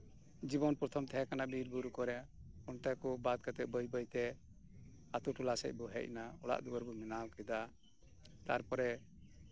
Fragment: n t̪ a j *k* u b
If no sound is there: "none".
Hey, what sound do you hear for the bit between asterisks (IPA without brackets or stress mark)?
k